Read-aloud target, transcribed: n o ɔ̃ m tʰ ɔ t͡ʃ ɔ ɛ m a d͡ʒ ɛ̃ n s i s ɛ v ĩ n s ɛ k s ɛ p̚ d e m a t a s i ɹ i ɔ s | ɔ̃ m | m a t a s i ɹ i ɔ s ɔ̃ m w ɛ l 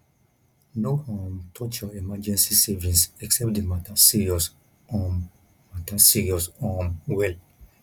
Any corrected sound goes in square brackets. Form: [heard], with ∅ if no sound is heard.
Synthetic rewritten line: n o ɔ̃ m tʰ ɔ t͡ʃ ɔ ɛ m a d͡ʒ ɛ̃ n s i s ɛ v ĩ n s ɛ k s ɛ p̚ d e m a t a s i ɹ i ɔ s | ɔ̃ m | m a t a s i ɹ i ɔ s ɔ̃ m w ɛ l